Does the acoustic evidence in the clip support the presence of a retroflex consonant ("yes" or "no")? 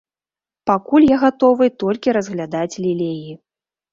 no